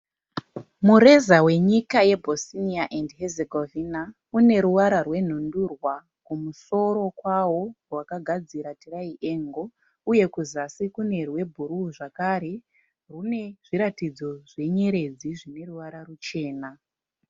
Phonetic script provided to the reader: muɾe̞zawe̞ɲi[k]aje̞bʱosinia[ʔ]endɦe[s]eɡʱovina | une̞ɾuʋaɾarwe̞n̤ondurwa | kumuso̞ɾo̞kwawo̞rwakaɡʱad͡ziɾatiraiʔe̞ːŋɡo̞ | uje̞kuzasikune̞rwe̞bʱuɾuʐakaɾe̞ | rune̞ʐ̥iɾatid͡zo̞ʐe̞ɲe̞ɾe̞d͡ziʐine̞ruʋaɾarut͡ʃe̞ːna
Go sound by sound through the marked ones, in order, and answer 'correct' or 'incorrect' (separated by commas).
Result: correct, correct, incorrect